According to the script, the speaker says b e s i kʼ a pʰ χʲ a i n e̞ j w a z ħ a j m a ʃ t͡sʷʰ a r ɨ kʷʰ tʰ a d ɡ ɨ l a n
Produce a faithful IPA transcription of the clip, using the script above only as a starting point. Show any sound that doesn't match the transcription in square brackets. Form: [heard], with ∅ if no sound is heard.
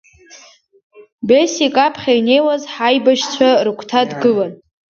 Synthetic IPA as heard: b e s i kʼ a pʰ χʲ a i n e̞ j w a z ħ a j [b] a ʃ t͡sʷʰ a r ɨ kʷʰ tʰ a d ɡ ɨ l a n